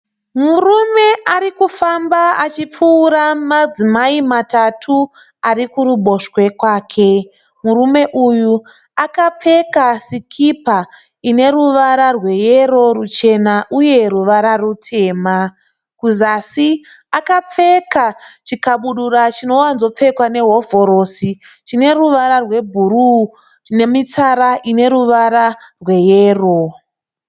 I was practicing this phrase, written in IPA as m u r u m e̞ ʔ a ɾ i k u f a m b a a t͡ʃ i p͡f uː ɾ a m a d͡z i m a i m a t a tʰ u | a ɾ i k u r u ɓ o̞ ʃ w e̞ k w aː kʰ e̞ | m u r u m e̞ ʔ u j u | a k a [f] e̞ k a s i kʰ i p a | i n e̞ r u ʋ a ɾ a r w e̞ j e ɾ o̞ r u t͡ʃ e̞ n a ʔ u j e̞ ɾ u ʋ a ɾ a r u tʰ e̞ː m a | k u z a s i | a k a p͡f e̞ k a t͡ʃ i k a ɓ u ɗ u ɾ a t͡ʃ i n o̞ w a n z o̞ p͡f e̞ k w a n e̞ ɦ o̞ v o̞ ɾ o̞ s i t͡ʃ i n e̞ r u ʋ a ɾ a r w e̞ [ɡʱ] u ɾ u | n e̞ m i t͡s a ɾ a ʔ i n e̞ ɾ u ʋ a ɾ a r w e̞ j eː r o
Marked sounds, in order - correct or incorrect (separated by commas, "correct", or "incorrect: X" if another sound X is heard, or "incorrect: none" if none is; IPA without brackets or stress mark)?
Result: incorrect: p͡f, incorrect: bʱ